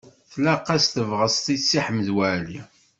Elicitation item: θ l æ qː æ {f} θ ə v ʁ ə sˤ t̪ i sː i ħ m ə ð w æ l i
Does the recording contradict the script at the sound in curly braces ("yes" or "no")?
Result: yes